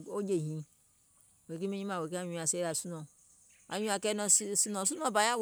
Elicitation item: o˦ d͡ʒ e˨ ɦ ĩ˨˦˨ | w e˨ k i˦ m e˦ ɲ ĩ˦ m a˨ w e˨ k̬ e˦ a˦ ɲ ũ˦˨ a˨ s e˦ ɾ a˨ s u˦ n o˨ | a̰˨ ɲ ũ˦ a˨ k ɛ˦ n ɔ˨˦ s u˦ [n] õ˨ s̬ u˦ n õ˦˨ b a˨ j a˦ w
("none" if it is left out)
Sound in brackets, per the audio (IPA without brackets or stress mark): n